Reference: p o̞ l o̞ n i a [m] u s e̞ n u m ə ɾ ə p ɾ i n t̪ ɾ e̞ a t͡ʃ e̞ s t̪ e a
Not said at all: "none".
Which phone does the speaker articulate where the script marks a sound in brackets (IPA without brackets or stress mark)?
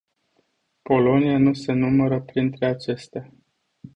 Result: n